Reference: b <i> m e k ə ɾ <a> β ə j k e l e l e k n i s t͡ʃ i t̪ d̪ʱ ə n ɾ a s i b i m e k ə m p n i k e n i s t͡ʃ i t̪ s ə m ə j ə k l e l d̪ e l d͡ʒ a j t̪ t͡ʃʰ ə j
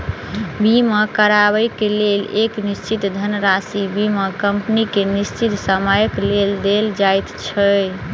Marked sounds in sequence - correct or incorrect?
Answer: correct, correct

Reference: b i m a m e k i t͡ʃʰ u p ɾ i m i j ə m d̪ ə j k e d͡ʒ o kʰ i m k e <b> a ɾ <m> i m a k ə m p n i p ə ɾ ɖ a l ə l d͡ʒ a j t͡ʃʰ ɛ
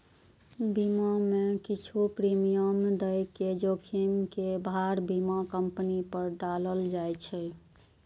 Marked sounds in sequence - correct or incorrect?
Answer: correct, incorrect

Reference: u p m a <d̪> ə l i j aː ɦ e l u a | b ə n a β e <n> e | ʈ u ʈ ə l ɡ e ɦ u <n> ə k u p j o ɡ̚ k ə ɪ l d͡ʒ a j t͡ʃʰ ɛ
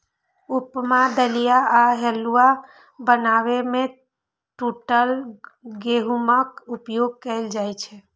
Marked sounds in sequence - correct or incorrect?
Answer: correct, incorrect, incorrect

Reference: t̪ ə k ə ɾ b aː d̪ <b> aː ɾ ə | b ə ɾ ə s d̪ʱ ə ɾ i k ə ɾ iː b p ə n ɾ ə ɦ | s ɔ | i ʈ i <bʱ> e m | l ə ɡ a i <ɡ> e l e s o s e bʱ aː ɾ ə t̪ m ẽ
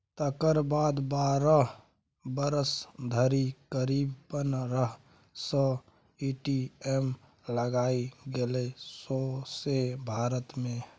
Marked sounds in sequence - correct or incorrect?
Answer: correct, incorrect, correct

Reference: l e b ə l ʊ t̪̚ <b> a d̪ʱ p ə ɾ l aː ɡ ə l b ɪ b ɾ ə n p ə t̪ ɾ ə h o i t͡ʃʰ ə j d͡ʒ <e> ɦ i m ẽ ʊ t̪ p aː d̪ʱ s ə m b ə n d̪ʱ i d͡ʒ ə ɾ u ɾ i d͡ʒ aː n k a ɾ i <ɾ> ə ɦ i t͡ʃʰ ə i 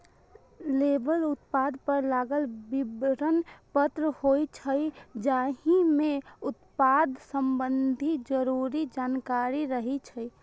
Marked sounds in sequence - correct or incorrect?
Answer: incorrect, incorrect, correct

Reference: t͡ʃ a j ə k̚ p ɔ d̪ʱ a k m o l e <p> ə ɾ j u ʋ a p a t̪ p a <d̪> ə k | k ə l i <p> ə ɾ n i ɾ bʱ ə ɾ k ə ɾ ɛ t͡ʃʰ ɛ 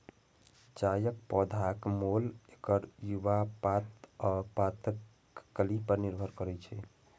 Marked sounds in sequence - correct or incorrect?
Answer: incorrect, incorrect, correct

